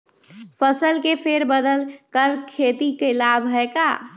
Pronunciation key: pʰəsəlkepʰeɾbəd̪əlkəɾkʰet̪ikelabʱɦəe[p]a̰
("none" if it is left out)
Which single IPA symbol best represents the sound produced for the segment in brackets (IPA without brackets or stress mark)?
k